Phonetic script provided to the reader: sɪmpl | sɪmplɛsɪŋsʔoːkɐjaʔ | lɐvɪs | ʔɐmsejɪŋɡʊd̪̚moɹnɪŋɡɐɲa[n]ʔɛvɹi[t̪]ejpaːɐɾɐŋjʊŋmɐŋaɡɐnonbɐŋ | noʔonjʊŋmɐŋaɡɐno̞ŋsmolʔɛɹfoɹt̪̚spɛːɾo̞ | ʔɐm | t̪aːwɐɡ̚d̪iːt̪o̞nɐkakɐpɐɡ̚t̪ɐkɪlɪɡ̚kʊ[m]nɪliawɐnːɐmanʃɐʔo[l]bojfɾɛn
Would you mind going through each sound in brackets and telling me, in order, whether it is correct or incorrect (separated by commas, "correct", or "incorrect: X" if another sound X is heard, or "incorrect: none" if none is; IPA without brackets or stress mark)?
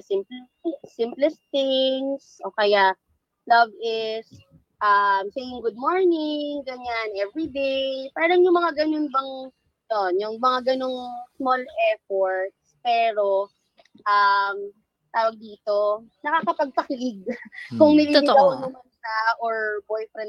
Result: correct, incorrect: d̪, incorrect: ŋ, incorrect: ɹ